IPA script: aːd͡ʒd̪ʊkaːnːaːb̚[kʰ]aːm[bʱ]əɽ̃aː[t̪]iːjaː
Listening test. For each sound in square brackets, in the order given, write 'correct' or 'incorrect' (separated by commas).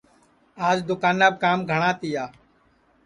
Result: incorrect, incorrect, correct